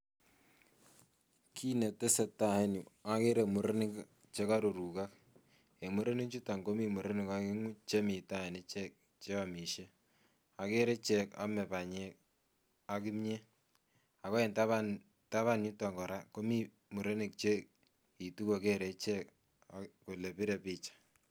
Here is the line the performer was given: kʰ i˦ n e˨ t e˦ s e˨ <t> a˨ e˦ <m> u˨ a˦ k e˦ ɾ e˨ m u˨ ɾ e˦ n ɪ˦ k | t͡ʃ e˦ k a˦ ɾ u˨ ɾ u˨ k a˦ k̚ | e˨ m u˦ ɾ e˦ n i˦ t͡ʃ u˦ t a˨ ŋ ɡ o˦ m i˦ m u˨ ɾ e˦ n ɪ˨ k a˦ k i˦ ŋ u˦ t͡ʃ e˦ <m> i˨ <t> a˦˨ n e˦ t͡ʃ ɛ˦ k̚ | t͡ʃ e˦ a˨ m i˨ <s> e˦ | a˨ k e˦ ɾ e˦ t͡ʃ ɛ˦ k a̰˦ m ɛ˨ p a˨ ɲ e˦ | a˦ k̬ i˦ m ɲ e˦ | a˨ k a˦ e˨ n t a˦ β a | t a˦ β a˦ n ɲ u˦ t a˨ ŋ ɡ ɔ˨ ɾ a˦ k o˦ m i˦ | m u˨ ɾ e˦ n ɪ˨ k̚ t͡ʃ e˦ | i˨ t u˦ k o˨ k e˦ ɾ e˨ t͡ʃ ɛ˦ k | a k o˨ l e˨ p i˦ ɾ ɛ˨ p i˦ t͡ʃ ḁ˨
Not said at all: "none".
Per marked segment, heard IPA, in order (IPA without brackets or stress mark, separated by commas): t, n, m, t, ʃ